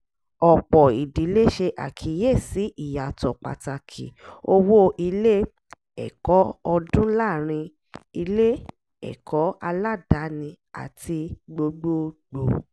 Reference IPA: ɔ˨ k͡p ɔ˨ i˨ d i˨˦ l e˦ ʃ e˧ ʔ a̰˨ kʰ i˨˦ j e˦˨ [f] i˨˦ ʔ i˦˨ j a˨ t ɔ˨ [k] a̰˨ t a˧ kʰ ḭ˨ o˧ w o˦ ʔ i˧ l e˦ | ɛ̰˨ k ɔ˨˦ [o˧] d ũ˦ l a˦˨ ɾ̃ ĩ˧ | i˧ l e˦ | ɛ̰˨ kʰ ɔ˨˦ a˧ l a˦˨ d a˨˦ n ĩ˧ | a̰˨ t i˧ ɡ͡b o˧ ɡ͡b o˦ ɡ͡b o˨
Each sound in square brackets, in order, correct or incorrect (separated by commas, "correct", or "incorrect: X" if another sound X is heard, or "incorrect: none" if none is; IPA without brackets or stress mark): incorrect: s, incorrect: k͡p, incorrect: ɔ˧